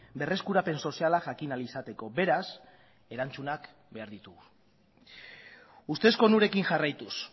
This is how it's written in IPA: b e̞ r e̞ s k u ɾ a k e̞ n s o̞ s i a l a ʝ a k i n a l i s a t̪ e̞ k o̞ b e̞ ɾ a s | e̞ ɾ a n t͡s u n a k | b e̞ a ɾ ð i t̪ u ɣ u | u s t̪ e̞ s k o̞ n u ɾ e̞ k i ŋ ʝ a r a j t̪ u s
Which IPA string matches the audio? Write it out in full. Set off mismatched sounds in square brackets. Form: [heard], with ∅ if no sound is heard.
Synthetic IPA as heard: b e̞ r e̞ s k u ɾ a [p] e̞ n s o̞ s i a l a ʝ a k i n a l i s a t̪ e̞ k o̞ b e̞ ɾ a s | e̞ ɾ a n t͡s u n a k | b e̞ a ɾ ð i t̪ u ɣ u | u s t̪ e̞ s k o̞ n u ɾ e̞ k i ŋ ʝ a r a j t̪ u s

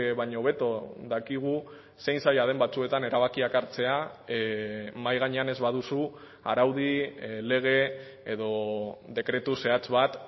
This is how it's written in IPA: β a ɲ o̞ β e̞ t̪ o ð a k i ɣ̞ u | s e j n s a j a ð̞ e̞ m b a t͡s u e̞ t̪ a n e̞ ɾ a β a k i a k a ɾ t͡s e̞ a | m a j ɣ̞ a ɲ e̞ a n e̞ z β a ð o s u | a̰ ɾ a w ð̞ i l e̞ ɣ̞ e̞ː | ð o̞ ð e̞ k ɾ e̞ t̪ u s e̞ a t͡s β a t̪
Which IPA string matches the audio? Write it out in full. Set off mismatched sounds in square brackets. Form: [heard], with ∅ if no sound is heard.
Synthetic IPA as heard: β a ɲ o̞ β e̞ t̪ o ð a k i ɣ̞ u | s e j n s a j a ð̞ e̞ m b a t͡s u e̞ t̪ a n e̞ ɾ a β a k i a k a ɾ t͡s e̞ a | m a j ɣ̞ a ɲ e̞ a n e̞ z β a ð [u] s u | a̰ ɾ a w ð̞ i l e̞ ɣ̞ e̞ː | ð o̞ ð e̞ k ɾ e̞ t̪ u s e̞ a t͡s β a t̪

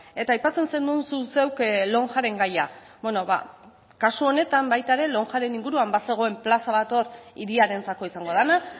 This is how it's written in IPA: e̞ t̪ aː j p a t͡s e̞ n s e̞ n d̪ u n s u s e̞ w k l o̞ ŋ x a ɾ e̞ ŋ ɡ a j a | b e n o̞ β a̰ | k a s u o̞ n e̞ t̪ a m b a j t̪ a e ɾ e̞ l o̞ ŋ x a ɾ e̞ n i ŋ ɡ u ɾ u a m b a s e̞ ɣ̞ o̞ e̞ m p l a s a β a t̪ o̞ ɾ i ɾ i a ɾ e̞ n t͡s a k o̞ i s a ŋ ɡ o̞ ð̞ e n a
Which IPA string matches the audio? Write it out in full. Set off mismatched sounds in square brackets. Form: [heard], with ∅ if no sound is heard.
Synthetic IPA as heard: e̞ t̪ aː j p a t͡s e̞ n s e̞ n d̪ u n s u s e̞ w k l o̞ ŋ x a ɾ e̞ ŋ ɡ a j a | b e n o̞ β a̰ | k a s u o̞ n e̞ t̪ a m b a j t̪ a e ɾ e̞ l o̞ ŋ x a ɾ e̞ n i ŋ ɡ u ɾ u a m b a s e̞ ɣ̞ o̞ e̞ m p l a s a β a t̪ o̞ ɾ i ɾ i a ɾ e̞ n t͡s a k o̞ i s a ŋ ɡ o̞ ð̞ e n a

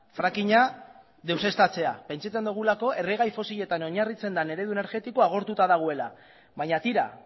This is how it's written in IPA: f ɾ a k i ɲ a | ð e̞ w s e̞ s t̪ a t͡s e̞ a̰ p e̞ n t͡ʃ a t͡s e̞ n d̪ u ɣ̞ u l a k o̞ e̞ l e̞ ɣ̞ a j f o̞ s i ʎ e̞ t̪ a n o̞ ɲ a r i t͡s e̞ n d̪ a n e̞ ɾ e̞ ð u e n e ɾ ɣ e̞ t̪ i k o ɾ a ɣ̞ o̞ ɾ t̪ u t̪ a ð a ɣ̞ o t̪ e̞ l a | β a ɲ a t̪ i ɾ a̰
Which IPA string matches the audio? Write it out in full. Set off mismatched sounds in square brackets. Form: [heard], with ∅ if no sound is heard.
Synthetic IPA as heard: f ɾ a k i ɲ a | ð e̞ w s e̞ s t̪ a t͡s e̞ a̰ p e̞ n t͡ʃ a t͡s e̞ n d̪ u ɣ̞ u l a k o̞ e̞ [r] e̞ ɣ̞ a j f o̞ s i ʎ e̞ t̪ a n o̞ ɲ a r i t͡s e̞ n d̪ a n e̞ ɾ e̞ ð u e n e ɾ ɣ e̞ t̪ i k o [∅] a ɣ̞ o̞ ɾ t̪ u t̪ a ð a ɣ̞ o [∅] e̞ l a | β a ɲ a t̪ i ɾ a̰

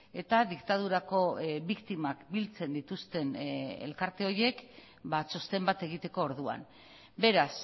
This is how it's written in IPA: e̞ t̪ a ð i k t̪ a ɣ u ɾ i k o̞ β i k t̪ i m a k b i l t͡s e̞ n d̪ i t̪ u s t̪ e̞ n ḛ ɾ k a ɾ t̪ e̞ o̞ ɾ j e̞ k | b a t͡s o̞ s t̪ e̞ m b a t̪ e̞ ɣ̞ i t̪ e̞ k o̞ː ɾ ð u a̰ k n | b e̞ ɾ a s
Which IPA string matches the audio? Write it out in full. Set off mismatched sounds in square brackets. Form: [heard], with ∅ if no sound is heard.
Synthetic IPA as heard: e̞ t̪ a ð i k t̪ a [ð] u ɾ [a] k o̞ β i k t̪ i m a k b i l t͡s e̞ n d̪ i t̪ u s t̪ e̞ n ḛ [l] k a ɾ t̪ e̞ o̞ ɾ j e̞ k | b a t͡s o̞ s t̪ e̞ m b a t̪ e̞ ɣ̞ i t̪ e̞ k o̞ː ɾ ð u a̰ [∅] n | b e̞ ɾ a s

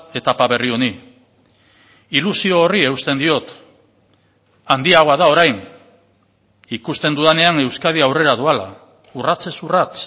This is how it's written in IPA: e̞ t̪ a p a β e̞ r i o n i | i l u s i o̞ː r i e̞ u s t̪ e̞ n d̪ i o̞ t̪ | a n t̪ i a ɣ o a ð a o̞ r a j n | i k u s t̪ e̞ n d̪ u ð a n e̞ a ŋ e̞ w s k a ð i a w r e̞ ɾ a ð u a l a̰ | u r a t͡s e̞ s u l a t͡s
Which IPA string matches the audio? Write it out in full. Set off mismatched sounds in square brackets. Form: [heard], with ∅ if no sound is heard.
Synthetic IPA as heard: e̞ t̪ a p a β e̞ r i o n i | i l u s i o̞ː r i e̞ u s t̪ e̞ n d̪ i o̞ t̪ | a n [d̪] i a ɣ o a ð a o̞ [ɾ] a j n | i k u s t̪ e̞ n d̪ u ð a n e̞ a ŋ e̞ w s k a ð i a w r e̞ ɾ a ð u a l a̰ | u r a t͡s e̞ s u [r] a t͡s

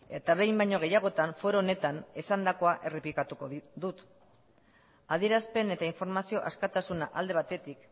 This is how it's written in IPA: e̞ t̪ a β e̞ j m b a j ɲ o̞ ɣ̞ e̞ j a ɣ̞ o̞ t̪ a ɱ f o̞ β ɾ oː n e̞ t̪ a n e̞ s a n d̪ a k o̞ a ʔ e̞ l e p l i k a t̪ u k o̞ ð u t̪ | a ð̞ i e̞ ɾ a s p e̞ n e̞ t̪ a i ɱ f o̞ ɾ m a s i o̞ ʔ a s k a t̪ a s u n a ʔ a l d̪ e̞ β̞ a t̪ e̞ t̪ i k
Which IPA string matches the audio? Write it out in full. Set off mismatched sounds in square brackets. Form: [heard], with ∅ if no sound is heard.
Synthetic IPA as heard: e̞ t̪ a β e̞ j m b a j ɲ o̞ ɣ̞ e̞ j a ɣ̞ o̞ t̪ a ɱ f o̞ [∅] ɾ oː n e̞ t̪ a n e̞ s a n d̪ a k o̞ a ʔ e̞ [r] e p l i k a t̪ u k o̞ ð u t̪ | a ð̞ i e̞ ɾ a s p e̞ n e̞ t̪ a i ɱ f o̞ ɾ m a s i o̞ ʔ a s k a t̪ a s u n a ʔ a l d̪ e̞ β̞ a t̪ e̞ t̪ i k

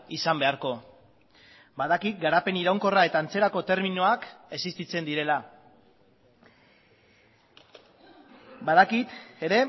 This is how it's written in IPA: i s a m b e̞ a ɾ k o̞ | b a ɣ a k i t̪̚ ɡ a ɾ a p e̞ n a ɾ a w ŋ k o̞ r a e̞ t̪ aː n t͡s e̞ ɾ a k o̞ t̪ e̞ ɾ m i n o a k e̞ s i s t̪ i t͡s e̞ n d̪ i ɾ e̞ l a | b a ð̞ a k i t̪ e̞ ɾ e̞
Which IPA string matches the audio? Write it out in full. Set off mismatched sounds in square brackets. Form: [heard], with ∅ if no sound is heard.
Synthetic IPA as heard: i s a m b e̞ a ɾ k o̞ | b a [ð] a k i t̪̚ ɡ a ɾ a p e̞ n [i] ɾ a w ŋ k o̞ r a e̞ t̪ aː n t͡s e̞ ɾ a k o̞ t̪ e̞ ɾ m i n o a k e̞ s i s t̪ i t͡s e̞ n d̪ i ɾ e̞ l a | b a ð̞ a k i t̪ e̞ ɾ e̞

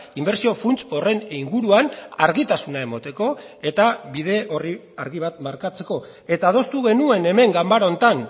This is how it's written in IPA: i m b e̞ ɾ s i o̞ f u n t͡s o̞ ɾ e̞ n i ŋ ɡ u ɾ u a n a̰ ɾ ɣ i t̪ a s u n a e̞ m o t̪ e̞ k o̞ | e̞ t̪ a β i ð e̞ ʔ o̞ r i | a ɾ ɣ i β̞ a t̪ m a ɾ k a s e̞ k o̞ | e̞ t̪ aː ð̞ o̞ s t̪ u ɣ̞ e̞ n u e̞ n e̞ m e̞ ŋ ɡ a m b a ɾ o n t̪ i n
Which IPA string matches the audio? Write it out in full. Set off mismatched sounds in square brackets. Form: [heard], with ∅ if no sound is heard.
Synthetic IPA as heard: i m b e̞ ɾ s i o̞ f u n t͡s o̞ [r] e̞ n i ŋ ɡ u ɾ u a n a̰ ɾ ɣ i t̪ a s u n a e̞ m o t̪ e̞ k o̞ | e̞ t̪ a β i ð e̞ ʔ o̞ r i | a ɾ ɣ i β̞ a t̪ m a ɾ k a [t͡s] e̞ k o̞ | e̞ t̪ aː ð̞ o̞ s t̪ u ɣ̞ e̞ n u e̞ n e̞ m e̞ ŋ ɡ a m b a ɾ o n t̪ [a] n

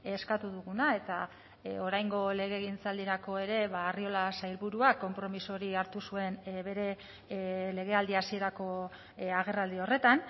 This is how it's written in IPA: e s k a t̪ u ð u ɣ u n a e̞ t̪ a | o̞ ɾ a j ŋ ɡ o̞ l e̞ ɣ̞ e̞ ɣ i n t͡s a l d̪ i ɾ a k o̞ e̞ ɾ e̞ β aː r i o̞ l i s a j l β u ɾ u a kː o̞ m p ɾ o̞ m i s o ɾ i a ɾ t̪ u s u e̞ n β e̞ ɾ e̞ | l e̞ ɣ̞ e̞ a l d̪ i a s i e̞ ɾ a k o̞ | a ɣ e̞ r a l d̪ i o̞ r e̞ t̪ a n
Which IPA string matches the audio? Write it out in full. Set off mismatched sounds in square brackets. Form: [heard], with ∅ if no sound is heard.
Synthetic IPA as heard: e s k a t̪ u ð u ɣ u n a e̞ t̪ a | o̞ ɾ a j ŋ ɡ o̞ l e̞ ɣ̞ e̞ ɣ i n t͡s a l d̪ i ɾ a k o̞ e̞ ɾ e̞ β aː r i o̞ l [a] s a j l β u ɾ u a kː o̞ m p ɾ o̞ m i s o ɾ i a ɾ t̪ u s u e̞ n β e̞ ɾ e̞ | l e̞ ɣ̞ e̞ a l d̪ i a s i e̞ ɾ a k o̞ | a ɣ e̞ r a l d̪ i o̞ r e̞ t̪ a n

